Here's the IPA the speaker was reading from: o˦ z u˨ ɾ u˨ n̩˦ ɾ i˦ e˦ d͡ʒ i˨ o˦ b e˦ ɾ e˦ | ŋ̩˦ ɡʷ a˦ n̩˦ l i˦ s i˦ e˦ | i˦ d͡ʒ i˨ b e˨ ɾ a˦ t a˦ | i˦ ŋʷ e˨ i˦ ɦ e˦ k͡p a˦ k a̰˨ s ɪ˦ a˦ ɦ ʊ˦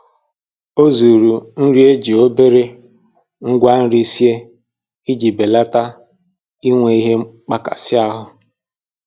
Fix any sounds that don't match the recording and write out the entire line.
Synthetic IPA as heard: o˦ z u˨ ɾ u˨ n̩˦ ɾ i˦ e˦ d͡ʒ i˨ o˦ b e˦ ɾ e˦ | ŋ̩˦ ɡʷ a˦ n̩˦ ɾ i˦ s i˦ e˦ | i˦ d͡ʒ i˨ b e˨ l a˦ t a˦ | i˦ ŋʷ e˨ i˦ ɦ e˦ k͡p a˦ k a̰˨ s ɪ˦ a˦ ɦ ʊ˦

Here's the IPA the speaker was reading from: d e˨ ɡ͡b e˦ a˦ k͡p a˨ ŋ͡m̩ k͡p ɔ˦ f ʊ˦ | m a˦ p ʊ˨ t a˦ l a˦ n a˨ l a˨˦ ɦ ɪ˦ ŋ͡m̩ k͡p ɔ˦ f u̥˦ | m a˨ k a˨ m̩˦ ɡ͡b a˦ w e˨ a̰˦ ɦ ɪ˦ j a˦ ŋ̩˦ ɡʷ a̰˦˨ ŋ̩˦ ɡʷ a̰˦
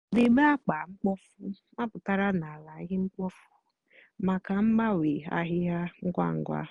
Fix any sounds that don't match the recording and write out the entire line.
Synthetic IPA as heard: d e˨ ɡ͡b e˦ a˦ k͡p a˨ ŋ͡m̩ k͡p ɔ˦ f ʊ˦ | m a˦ p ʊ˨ t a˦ ɾ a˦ n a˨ l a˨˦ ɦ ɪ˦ ŋ͡m̩ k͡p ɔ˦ f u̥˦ | m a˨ k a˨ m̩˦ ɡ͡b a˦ w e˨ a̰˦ ɦ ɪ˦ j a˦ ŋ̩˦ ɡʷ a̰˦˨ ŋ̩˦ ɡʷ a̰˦

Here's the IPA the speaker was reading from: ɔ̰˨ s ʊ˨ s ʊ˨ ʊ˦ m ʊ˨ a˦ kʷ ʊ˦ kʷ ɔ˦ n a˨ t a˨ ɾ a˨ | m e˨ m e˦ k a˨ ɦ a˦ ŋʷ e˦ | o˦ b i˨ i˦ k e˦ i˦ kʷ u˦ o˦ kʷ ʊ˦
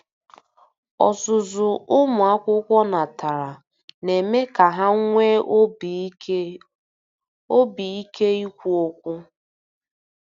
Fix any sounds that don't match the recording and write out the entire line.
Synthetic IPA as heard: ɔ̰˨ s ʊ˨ z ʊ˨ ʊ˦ m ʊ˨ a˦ kʷ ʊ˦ kʷ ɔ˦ n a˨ t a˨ ɾ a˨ | n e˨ m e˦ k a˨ ɦ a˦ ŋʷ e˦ | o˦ b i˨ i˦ k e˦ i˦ kʷ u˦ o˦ kʷ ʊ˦

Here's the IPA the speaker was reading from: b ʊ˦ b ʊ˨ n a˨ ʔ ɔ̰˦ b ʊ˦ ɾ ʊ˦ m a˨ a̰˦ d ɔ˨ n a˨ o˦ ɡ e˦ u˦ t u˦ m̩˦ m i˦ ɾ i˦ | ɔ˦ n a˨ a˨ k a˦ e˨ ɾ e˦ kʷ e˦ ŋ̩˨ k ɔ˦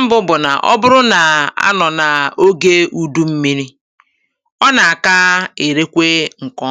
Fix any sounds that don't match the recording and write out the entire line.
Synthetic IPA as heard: b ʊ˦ b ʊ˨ n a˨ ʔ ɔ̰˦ b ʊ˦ ɾ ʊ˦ n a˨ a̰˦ n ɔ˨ n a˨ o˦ ɡ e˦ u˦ d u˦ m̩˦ m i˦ ɾ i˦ | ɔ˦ n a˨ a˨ k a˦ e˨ ɾ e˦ kʷ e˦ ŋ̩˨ k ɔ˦

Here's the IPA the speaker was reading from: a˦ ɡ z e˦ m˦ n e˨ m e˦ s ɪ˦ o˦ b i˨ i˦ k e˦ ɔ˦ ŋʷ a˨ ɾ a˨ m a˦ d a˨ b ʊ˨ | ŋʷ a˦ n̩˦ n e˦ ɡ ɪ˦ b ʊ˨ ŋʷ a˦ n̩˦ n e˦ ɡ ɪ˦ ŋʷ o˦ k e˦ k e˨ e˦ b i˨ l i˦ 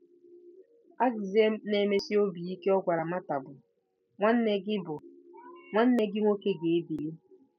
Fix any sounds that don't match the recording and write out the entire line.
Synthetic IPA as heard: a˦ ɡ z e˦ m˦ n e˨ m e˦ s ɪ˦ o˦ b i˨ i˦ k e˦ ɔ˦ ɡʷ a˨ ɾ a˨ m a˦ t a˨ b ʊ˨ | ŋʷ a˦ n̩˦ n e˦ ɡ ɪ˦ b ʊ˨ ŋʷ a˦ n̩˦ n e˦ ɡ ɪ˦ ŋʷ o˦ k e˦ ɡ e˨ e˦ b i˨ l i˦

